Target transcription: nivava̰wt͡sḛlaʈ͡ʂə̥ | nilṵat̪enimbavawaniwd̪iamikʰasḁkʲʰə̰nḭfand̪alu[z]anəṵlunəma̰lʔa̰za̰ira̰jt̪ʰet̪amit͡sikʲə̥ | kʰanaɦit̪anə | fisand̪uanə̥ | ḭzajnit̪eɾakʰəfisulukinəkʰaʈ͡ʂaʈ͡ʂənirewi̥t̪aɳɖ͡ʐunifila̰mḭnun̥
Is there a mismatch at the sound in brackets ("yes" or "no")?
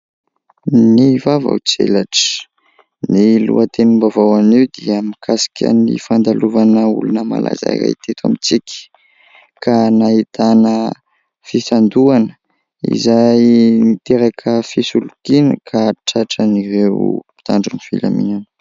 yes